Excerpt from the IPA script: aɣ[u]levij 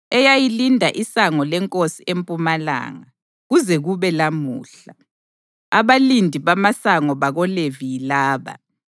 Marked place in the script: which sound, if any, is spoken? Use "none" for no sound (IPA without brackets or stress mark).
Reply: ɔ